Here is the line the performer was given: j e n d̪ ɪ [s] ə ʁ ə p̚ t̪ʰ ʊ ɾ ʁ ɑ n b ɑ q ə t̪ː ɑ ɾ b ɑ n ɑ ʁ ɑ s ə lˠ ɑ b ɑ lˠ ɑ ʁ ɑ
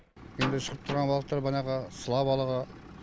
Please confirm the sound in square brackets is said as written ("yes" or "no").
no